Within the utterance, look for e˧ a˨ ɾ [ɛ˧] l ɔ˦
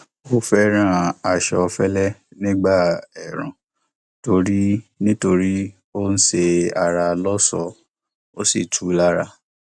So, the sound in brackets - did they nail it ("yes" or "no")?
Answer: no